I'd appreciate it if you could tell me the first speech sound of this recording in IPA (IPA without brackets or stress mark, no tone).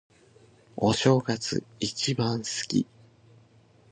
o